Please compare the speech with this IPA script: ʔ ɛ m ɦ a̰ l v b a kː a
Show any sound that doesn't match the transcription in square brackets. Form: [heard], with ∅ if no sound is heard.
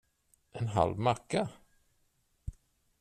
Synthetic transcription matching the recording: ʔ ɛ [n] ɦ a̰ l v [m] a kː a